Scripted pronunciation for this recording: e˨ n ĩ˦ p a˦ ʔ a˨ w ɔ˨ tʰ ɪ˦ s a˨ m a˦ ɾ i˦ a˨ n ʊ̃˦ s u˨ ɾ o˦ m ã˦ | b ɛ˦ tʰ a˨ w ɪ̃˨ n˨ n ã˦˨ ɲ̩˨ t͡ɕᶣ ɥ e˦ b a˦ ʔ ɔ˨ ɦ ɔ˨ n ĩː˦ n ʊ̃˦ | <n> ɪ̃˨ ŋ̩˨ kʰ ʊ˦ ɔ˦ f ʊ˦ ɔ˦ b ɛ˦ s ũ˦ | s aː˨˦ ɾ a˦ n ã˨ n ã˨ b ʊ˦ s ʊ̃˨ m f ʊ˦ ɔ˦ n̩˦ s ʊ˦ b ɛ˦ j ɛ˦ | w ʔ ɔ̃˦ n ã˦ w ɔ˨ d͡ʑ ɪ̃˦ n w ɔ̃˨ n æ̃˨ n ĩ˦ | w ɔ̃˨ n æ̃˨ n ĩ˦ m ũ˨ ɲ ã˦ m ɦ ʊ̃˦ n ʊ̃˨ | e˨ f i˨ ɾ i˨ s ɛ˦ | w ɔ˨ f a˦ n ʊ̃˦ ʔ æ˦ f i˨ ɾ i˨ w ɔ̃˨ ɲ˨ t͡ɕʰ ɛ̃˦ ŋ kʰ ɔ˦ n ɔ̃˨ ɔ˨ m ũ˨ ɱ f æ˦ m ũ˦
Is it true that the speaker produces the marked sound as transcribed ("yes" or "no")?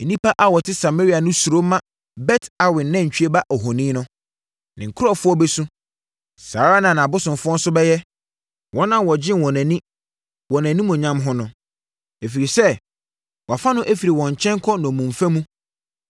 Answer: yes